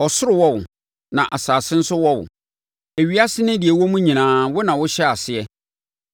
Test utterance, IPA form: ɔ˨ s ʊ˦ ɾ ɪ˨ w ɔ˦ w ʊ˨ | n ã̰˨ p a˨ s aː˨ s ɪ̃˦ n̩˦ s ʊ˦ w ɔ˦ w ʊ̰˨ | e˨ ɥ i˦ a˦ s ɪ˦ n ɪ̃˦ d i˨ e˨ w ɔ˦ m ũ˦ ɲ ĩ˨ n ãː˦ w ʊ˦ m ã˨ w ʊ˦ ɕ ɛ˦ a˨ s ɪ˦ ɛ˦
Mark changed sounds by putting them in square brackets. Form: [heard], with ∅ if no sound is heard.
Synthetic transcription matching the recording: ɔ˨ s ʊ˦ ɾ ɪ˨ w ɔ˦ w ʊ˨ | n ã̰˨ [ʔ] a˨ s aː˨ s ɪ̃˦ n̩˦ s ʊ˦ w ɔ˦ w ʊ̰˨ | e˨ ɥ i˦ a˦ s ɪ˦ n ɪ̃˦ d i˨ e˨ w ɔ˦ m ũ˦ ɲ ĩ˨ n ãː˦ w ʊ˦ [n] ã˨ w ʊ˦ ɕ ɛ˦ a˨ s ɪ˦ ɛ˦